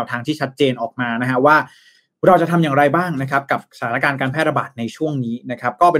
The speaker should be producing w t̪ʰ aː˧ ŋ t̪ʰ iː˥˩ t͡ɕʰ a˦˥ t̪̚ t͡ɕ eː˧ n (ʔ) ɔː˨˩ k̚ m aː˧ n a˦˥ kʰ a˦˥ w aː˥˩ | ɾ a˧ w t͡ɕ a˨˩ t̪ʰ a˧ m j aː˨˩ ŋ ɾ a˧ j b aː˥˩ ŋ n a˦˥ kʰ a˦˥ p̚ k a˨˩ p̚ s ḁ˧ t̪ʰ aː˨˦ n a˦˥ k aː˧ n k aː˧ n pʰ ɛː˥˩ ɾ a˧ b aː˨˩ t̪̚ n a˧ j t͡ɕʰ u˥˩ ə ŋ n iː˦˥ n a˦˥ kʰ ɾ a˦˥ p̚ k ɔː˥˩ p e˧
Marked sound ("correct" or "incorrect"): correct